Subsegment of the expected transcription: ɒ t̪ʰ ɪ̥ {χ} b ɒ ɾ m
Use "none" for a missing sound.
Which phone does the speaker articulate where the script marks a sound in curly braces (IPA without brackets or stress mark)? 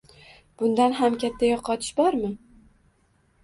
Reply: ʃ